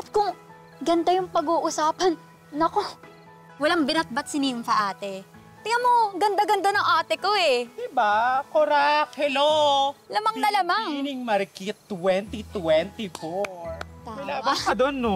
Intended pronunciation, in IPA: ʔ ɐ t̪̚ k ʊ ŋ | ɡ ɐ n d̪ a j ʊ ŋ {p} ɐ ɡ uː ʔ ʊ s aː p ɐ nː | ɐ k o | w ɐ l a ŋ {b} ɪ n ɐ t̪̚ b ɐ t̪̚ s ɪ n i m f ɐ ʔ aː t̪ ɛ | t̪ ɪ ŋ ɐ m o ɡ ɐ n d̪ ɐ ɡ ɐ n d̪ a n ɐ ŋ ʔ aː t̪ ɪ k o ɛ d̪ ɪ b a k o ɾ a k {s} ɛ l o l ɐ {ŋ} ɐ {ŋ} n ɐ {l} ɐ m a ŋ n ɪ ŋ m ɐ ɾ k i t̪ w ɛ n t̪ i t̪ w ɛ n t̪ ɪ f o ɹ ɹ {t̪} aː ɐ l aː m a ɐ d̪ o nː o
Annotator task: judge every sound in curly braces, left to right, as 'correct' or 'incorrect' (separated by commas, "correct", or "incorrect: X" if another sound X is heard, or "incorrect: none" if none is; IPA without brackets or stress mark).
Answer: correct, correct, incorrect: h, incorrect: m, correct, correct, correct